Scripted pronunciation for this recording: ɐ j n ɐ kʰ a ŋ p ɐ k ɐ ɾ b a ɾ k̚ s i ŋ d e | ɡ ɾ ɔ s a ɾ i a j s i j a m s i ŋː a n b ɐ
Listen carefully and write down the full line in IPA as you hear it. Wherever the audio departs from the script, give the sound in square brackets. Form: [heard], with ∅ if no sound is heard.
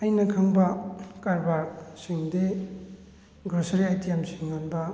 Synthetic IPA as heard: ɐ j n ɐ kʰ a ŋ [b] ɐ k [a] ɾ b a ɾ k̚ s i ŋ d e | ɡ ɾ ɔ s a ɾ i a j [t] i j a m s i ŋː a n b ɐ